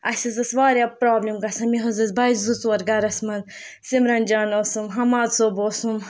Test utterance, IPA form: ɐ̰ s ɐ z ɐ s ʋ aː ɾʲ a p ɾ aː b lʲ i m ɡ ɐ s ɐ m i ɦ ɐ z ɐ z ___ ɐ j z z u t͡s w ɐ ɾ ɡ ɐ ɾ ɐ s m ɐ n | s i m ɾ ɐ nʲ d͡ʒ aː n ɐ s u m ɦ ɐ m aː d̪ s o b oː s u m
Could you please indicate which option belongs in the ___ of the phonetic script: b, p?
b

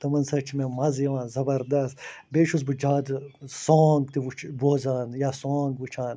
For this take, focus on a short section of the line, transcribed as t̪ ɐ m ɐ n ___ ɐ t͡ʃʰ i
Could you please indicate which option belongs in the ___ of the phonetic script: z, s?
s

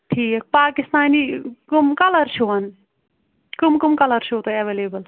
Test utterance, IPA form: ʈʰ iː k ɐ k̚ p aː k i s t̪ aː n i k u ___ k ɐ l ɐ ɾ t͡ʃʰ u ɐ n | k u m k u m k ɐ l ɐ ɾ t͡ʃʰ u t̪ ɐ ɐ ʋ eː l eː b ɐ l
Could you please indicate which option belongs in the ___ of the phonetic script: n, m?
m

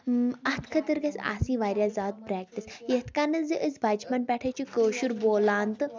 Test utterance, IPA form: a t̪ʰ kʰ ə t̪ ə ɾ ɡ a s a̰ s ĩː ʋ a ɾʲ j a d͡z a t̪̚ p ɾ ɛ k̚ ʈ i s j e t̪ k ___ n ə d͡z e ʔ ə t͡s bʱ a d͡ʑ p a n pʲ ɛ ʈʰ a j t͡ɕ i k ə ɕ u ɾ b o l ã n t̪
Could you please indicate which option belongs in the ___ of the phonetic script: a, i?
a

